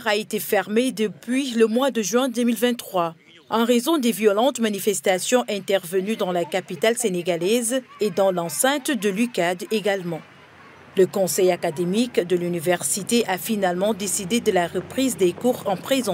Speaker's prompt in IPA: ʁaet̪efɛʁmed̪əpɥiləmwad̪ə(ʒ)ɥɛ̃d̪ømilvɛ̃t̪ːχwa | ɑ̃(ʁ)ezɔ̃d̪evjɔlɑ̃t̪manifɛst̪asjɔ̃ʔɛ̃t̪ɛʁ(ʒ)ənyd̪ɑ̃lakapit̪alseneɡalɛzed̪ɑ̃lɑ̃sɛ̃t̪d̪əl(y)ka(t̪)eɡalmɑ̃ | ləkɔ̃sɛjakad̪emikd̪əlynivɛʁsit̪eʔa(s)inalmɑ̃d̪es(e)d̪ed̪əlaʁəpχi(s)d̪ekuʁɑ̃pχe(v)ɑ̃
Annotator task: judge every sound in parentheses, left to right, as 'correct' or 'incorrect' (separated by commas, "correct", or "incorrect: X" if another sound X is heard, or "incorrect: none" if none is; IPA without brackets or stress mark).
correct, correct, incorrect: v, correct, incorrect: d̪, incorrect: f, incorrect: i, incorrect: z, incorrect: z